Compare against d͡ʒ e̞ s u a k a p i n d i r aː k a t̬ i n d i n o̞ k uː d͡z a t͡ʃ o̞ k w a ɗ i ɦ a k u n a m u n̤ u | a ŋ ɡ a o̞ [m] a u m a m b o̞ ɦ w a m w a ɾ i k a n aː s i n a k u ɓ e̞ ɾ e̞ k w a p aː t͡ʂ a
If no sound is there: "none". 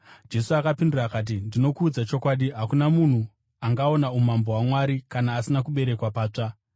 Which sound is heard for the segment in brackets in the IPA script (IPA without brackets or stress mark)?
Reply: n